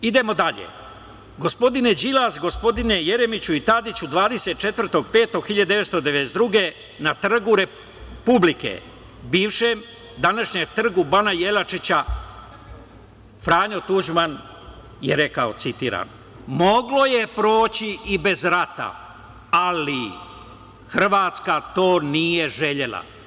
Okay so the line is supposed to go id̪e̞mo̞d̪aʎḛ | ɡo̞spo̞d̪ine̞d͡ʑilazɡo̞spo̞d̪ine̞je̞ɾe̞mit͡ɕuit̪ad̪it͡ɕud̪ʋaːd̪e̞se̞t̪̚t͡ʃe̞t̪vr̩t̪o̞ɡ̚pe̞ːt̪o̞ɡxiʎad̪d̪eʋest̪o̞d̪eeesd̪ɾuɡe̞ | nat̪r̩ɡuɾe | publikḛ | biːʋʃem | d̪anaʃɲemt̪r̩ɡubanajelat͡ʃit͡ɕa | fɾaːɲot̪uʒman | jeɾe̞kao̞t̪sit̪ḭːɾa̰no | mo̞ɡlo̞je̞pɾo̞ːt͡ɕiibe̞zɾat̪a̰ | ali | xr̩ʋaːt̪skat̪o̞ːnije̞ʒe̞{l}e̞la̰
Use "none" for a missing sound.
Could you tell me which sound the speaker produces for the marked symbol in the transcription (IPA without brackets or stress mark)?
ʎ